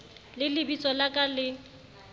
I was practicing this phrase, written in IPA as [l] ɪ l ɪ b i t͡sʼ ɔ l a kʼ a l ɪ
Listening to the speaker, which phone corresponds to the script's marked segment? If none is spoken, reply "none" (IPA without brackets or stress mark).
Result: l